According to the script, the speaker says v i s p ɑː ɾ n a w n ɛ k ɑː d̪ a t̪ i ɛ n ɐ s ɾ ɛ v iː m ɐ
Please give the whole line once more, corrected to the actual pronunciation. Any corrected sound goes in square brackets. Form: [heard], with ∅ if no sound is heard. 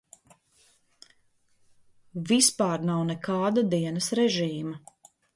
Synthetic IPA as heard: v i s p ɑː ɾ n a w n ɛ k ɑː d̪ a [d̪] i ɛ n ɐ s ɾ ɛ [ʒ] iː m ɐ

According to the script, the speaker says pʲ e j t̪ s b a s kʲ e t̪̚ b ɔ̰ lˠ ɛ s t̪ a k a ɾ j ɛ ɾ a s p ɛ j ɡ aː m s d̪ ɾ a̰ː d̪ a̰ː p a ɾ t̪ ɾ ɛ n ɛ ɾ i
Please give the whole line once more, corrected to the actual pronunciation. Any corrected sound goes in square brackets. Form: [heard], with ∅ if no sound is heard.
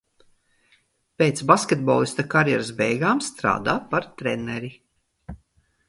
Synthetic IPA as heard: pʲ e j t̪ s b a s kʲ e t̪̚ b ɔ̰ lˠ [i] s t̪ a k a ɾ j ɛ ɾ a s [b] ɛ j ɡ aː m s [t̪] ɾ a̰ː d̪ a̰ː p a ɾ t̪ ɾ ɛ n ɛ ɾ i

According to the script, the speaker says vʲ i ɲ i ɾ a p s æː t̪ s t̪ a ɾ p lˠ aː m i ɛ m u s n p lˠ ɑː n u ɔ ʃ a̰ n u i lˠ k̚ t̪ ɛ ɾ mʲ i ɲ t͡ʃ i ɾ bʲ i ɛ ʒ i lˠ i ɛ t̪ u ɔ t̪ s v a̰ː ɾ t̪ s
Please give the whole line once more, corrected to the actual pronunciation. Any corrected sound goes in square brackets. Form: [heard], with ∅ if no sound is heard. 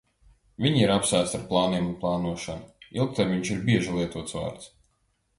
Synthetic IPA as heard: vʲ i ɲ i ɾ a p s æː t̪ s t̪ a ɾ p lˠ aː [n] i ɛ m u [∅] n p lˠ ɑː n u ɔ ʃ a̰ n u i lˠ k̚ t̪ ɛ ɾ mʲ i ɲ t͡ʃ i ɾ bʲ i ɛ ʒ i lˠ i ɛ t̪ u ɔ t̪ s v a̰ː ɾ t̪ s

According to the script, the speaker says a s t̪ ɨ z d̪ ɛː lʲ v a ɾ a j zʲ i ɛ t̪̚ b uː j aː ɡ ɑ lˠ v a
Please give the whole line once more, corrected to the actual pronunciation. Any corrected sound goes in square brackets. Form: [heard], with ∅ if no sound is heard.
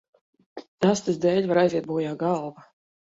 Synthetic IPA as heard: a s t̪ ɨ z d̪ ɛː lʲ v a ɾ a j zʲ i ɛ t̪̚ b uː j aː ɡ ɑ lˠ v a

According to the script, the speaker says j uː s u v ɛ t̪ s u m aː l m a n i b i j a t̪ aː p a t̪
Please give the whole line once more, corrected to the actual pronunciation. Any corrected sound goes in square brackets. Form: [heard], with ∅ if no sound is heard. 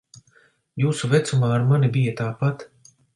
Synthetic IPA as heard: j uː s u v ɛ t̪ s u m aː [ɾ] m a n i b i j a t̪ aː p a t̪

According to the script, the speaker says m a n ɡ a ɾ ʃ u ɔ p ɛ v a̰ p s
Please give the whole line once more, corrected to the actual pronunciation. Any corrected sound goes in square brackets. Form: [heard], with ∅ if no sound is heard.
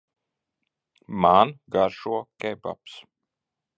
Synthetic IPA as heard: m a n ɡ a ɾ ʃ u ɔ [k] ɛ [b] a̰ p s

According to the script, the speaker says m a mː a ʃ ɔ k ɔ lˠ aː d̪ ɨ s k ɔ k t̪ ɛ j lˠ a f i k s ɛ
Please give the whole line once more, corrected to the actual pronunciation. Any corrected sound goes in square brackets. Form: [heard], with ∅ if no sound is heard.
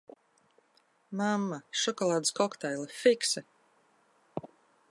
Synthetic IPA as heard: m a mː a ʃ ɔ k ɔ lˠ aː d̪ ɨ s k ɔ k t̪ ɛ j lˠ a f i k s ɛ

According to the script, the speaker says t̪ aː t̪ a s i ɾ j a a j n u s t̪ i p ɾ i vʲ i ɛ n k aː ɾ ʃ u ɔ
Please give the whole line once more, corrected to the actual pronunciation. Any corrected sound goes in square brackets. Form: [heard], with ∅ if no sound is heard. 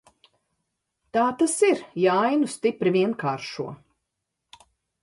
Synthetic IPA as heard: t̪ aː t̪ a s i ɾ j a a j n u s t̪ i p ɾ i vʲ i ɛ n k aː ɾ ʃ u ɔ

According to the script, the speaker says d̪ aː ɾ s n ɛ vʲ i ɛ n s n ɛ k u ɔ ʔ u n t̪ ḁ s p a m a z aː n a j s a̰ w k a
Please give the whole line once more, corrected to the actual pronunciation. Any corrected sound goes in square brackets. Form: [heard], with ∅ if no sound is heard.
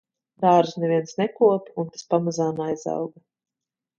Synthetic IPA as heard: d̪ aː ɾ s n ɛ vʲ i ɛ n s n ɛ k u ɔ [p] u n t̪ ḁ s p a m a z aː n a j [z] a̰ w [ɡ] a

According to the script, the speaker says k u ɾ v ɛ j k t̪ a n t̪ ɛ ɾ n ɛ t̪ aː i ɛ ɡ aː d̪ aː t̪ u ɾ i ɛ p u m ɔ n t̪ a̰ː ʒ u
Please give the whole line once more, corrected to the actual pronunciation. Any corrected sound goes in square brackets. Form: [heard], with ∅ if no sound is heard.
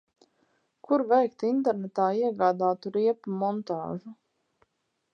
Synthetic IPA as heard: k u ɾ v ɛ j k t̪ [i] n t̪ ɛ ɾ n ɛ t̪ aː i ɛ ɡ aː d̪ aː t̪ u ɾ i ɛ p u m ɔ n t̪ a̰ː ʒ u

